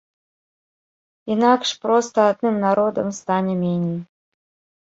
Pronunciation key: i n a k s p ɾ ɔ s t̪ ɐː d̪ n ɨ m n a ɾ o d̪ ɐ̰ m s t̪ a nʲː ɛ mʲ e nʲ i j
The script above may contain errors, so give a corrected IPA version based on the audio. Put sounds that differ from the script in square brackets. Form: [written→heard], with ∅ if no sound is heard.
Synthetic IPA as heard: i n a k [s→ʂ] p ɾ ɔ s t̪ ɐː d̪ n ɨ m n a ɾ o d̪ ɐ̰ m s t̪ a [nʲː→nʲ] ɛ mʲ e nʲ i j